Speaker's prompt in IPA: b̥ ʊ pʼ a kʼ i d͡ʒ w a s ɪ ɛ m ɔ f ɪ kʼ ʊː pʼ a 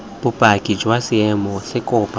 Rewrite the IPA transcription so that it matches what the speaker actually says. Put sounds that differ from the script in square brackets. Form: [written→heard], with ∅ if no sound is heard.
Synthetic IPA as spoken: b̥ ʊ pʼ a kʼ i d͡ʒ w a s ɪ ɛ m ɔ [f→s] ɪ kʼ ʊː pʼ a